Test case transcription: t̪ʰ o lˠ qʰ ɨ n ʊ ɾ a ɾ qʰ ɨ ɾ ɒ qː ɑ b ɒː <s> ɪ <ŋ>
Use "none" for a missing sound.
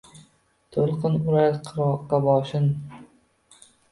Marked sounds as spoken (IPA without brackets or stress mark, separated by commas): ʃ, n